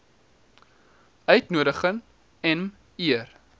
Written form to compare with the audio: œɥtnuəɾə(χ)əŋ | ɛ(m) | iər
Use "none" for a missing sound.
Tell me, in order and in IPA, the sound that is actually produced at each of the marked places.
χ, m

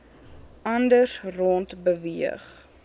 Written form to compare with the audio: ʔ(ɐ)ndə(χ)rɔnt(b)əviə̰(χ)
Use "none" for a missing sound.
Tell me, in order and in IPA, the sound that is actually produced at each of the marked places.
ɐ, s, b, χ

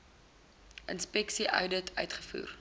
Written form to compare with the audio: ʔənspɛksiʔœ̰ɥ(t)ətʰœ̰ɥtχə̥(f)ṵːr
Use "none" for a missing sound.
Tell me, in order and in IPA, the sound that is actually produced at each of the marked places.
d, f

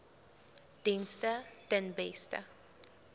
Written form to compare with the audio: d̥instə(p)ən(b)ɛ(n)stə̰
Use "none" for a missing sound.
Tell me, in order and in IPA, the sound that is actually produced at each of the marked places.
t, b, none

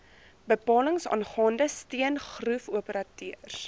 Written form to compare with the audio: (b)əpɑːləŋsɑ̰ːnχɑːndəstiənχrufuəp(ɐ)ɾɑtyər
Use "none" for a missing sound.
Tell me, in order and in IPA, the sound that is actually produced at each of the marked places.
b, ə

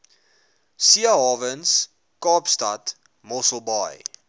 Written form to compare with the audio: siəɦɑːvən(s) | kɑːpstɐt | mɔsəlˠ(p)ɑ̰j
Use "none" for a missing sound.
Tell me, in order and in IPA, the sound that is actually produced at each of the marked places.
s, b

